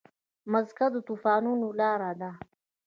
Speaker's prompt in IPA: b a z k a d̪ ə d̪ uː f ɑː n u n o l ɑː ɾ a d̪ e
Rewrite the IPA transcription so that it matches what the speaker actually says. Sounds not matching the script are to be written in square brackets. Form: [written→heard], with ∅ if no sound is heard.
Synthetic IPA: [b→m] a z k a d̪ ə [d̪→t̪] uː f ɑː n u n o l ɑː ɾ a d̪ [e→a]